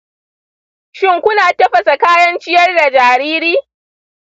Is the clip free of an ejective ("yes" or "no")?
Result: yes